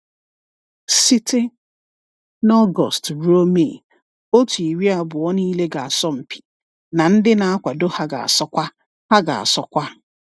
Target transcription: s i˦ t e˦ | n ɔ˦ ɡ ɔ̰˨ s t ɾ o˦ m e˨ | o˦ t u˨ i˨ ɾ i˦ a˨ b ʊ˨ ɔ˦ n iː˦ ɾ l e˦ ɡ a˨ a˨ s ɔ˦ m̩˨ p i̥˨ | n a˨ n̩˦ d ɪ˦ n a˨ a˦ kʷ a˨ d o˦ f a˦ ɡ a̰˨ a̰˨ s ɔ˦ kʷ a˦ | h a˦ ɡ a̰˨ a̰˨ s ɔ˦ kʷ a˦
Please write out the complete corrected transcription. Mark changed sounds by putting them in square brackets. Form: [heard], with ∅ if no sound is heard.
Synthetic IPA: s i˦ t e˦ | n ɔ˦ ɡ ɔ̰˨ s t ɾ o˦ m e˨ | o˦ t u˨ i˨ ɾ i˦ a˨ b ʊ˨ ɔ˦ n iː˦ [∅] l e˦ ɡ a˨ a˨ s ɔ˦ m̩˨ p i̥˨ | n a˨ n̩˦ d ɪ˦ n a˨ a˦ kʷ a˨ d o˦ [h] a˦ ɡ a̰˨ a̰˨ s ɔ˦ kʷ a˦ | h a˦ ɡ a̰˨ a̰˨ s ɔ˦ kʷ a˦